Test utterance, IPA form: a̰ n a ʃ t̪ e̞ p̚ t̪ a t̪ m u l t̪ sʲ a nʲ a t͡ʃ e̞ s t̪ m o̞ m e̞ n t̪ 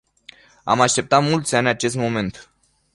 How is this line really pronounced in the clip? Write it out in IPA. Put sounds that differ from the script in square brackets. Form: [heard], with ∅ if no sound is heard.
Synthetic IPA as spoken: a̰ [m] a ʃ t̪ e̞ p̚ t̪ a t̪ m u l t̪ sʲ a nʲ a t͡ʃ e̞ s t̪ m o̞ m e̞ n t̪